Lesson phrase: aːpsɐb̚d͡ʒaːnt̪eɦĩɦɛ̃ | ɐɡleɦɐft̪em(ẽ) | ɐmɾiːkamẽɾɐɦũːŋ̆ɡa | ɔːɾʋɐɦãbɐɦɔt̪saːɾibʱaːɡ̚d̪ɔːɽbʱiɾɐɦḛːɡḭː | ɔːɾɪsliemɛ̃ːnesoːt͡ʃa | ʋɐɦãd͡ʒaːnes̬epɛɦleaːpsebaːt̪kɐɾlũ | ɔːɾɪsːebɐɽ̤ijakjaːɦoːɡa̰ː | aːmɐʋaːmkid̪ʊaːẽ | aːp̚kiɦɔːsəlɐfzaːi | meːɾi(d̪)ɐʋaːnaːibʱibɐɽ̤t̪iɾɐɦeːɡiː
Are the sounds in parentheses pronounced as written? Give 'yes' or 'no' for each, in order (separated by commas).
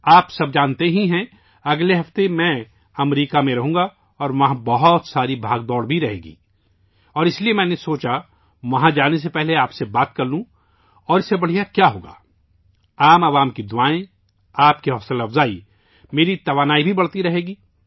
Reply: no, no